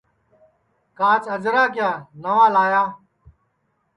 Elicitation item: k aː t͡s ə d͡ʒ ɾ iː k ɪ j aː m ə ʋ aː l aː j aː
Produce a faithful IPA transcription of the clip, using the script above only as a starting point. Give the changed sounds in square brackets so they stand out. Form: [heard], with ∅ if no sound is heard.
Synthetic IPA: k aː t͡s ə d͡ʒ ɾ [aː] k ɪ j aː [n] ə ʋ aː l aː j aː